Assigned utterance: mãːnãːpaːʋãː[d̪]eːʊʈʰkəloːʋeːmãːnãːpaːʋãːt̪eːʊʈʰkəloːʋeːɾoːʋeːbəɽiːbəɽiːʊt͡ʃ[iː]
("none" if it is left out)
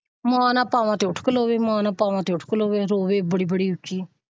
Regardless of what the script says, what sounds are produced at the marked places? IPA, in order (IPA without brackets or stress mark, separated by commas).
t̪, iː